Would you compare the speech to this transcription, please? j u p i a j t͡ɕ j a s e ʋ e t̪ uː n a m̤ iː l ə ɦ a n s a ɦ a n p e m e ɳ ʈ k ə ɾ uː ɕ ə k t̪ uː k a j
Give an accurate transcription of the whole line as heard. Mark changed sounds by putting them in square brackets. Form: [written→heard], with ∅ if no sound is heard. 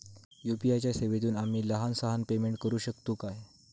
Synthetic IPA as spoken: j u p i a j t͡ɕ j a s e ʋ e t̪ uː n a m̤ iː l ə ɦ a n s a ɦ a n p e m e ɳ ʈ k ə ɾ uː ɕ ə k t̪ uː k a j